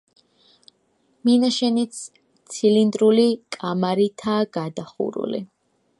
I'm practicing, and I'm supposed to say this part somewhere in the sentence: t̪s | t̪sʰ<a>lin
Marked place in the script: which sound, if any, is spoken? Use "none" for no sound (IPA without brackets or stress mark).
i